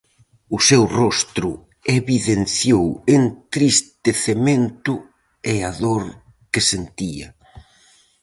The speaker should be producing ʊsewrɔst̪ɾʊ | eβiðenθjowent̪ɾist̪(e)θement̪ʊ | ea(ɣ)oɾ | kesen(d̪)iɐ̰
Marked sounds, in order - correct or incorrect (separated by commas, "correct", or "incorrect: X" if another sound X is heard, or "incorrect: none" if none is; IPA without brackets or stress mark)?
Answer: correct, incorrect: ð, incorrect: t̪